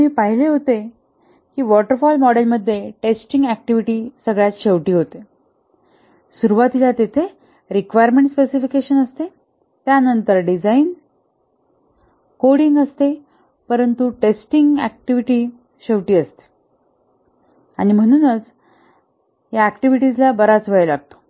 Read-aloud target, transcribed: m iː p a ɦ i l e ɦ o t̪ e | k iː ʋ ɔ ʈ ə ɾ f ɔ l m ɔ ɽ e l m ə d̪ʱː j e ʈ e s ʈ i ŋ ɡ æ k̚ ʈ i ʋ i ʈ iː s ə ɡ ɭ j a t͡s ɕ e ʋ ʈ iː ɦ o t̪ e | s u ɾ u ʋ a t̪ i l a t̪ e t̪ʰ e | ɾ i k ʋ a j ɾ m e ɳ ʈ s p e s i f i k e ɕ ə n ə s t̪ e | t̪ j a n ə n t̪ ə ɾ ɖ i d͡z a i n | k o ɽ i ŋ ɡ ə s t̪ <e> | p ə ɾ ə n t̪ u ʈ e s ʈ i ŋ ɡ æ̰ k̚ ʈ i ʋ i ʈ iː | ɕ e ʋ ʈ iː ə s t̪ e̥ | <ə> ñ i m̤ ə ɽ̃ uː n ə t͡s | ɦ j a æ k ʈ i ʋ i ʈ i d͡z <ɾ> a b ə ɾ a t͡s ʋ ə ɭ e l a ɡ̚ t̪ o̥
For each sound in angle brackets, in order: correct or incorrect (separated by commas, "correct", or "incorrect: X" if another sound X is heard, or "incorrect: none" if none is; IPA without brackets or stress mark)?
correct, incorrect: a, incorrect: l